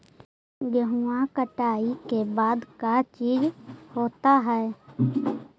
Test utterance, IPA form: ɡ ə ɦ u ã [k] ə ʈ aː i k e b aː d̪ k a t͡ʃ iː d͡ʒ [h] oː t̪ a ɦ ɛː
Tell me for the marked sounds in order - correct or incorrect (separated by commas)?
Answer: correct, correct